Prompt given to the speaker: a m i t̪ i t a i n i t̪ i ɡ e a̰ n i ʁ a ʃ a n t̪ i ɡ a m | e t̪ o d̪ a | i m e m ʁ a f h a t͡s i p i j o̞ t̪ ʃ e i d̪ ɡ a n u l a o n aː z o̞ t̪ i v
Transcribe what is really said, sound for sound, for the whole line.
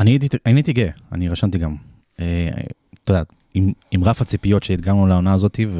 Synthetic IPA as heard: a n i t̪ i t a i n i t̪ i ɡ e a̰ n i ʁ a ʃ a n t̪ i ɡ a m | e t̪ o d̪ a | i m i m ʁ a f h a t͡s i p i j o̞ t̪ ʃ e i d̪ ɡ a n u l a o n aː z o̞ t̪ i v